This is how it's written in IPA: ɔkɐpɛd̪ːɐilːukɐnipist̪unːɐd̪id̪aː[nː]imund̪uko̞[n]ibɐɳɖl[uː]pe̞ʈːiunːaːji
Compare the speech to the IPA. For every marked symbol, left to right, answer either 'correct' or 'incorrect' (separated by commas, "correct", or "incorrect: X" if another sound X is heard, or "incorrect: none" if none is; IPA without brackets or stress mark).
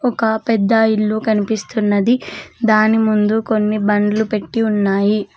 incorrect: n, incorrect: nː, incorrect: u